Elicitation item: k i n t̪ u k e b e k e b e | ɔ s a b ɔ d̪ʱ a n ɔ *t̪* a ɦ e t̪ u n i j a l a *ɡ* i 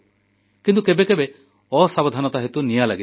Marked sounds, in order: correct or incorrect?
correct, correct

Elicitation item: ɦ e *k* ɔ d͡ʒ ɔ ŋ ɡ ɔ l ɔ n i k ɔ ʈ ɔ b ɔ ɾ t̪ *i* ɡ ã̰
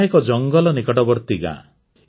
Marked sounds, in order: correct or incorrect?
correct, correct

